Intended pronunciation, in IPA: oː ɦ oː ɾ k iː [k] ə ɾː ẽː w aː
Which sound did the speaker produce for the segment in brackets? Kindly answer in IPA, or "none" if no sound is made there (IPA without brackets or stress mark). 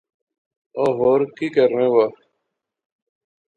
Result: k